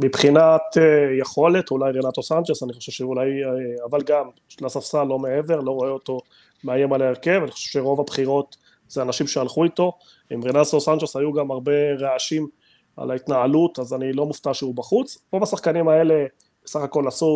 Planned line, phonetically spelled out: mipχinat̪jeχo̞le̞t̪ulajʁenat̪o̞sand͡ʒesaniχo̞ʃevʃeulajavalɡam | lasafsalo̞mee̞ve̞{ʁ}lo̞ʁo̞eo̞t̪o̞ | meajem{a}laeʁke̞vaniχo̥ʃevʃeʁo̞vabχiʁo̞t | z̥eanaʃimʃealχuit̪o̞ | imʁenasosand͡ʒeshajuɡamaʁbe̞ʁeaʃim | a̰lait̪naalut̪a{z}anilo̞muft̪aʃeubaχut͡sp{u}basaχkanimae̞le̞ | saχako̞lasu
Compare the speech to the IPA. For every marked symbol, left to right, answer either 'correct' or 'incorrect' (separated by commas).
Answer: correct, correct, correct, incorrect